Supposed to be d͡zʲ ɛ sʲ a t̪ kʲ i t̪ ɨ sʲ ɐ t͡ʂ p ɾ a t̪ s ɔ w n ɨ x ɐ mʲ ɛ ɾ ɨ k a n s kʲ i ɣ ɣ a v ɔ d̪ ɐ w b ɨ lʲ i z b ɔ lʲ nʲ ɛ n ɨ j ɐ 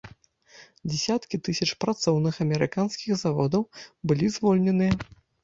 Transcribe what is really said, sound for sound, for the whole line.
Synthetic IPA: d͡zʲ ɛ sʲ a t̪ kʲ i t̪ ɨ sʲ ɐ t͡ʂ p ɾ a t̪ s ɔ w n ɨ x ɐ mʲ ɛ ɾ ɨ k a n s kʲ i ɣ z a v ɔ d̪ ɐ w b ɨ lʲ i z v ɔ lʲ nʲ ɛ n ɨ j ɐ